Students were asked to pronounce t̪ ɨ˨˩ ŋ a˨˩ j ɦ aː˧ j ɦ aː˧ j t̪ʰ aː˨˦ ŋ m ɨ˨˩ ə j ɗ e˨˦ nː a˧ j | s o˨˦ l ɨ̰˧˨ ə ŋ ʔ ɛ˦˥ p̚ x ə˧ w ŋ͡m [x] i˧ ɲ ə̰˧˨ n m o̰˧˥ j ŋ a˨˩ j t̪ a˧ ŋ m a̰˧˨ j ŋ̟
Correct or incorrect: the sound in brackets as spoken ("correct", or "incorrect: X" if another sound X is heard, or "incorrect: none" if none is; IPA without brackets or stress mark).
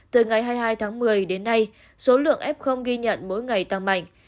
incorrect: ɣ